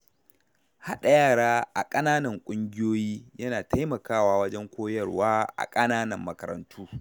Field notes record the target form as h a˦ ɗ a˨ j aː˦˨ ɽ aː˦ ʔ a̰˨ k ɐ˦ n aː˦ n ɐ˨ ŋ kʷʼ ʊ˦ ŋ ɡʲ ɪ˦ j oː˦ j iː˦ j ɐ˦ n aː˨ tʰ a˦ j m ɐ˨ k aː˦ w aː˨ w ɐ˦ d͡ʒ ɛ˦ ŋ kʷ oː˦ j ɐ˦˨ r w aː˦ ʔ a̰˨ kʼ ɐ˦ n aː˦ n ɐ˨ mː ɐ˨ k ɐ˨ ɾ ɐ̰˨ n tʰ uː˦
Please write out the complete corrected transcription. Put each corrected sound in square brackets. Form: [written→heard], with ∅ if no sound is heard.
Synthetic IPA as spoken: h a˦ ɗ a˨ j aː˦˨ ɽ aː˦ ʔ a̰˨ [k→kʼ] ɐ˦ n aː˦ n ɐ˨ ŋ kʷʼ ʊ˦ ŋ ɡʲ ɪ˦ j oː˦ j iː˦ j ɐ˦ n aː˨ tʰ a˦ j m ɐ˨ k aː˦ w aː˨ w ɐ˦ d͡ʒ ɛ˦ ŋ kʷ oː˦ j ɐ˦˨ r w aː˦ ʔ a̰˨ kʼ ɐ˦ n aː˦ n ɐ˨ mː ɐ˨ k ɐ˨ ɾ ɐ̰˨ n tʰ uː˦